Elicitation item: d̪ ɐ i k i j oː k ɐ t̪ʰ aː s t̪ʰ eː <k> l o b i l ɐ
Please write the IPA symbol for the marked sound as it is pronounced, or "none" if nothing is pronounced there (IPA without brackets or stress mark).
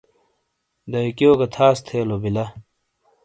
none